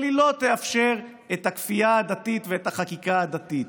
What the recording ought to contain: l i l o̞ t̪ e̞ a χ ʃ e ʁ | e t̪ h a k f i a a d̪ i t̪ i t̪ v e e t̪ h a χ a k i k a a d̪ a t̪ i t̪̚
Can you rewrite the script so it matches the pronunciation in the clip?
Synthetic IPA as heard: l i l o̞ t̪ e̞ a f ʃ e ʁ | e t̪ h a k f i a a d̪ a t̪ i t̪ v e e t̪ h a χ a k i k a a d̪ a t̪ i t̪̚